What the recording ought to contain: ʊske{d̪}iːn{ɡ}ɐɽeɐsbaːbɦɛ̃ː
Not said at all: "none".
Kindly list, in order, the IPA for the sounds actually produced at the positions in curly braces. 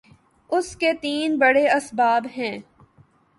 t̪, b

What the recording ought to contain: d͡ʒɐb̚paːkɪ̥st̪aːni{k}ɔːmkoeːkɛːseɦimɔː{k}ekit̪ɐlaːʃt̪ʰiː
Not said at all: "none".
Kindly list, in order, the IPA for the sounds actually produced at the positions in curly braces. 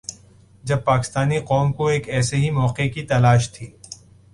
q, q

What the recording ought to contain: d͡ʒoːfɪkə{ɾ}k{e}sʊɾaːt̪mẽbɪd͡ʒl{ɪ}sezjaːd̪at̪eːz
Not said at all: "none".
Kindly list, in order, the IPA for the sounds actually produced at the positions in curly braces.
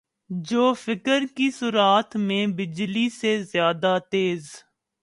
ɾ, i, i

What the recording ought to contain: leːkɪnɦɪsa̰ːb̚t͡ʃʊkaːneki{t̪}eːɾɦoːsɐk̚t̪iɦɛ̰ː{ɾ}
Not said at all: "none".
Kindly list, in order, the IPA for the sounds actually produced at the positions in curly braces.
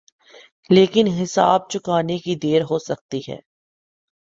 d̪, none

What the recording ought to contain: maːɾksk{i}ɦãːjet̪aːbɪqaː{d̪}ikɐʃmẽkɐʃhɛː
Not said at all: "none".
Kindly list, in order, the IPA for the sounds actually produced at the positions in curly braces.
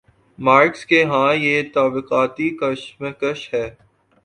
e, t̪

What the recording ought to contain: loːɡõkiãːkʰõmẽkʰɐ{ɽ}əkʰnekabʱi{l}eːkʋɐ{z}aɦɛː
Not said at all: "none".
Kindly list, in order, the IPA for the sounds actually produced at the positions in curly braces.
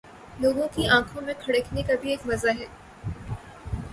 ɽ, none, z

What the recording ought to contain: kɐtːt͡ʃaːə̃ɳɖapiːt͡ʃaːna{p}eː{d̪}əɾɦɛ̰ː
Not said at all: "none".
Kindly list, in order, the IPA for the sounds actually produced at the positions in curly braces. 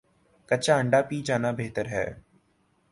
b, t̪

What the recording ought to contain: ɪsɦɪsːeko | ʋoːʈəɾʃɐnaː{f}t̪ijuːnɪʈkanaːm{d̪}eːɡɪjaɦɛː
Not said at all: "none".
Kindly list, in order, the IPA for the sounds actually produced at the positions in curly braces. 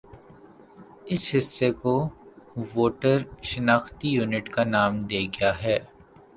x, d̪

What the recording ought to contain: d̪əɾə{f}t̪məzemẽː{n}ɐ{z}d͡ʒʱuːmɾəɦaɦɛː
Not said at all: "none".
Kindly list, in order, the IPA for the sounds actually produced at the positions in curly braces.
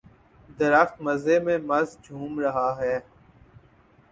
x, m, z

